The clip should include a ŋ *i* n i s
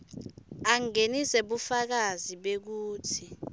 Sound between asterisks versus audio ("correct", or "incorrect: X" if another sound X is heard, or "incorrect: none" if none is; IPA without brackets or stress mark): incorrect: e